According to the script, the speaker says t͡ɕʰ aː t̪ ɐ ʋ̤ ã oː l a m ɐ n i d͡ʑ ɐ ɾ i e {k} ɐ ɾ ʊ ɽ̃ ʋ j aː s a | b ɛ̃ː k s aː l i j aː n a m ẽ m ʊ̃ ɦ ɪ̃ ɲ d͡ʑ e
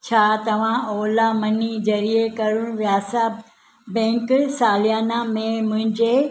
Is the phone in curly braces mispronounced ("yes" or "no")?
no